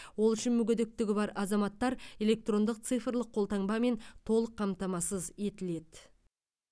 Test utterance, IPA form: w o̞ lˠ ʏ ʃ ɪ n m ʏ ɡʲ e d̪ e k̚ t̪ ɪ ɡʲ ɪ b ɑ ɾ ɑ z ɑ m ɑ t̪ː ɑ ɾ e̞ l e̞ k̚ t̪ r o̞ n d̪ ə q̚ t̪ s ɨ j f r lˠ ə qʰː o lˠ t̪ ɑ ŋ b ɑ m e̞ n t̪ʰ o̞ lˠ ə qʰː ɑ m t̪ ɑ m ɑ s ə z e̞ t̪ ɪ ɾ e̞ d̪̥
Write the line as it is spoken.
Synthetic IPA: w o̞ lˠ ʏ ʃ ɪ n m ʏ ɡʲ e d̪ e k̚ t̪ ɪ ɡʲ ɪ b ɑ ɾ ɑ z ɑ m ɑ t̪ː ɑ ɾ e̞ l e̞ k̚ t̪ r o̞ n d̪ ə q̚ t̪ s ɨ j f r lˠ ə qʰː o lˠ t̪ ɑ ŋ b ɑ m e̞ n t̪ʰ o̞ lˠ ə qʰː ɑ m t̪ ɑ m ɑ s ə z e̞ t̪ ɪ l e̞ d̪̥